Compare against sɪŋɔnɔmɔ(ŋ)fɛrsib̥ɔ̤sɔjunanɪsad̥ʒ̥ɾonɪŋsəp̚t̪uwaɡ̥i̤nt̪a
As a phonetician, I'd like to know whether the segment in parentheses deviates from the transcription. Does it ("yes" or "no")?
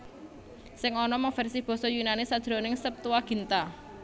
no